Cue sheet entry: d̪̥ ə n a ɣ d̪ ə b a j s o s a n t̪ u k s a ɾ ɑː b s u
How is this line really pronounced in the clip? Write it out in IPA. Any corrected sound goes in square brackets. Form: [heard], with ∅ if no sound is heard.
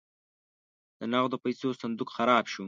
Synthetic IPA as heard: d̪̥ ə n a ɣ d̪ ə [p] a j s o s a n [d̪] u k [x] a ɾ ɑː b [ʃ] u